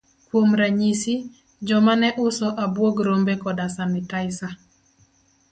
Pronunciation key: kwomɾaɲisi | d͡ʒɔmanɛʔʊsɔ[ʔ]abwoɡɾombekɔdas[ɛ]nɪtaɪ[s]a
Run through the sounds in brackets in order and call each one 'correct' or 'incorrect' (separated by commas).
correct, incorrect, correct